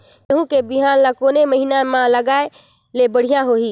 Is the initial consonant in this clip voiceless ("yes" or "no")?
no